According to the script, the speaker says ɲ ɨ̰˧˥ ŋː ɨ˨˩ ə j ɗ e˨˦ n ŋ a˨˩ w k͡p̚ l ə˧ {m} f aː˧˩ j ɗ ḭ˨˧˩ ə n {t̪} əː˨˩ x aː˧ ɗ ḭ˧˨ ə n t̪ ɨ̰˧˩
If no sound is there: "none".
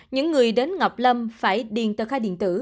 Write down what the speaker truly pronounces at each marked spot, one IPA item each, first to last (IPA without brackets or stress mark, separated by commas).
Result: m, t̪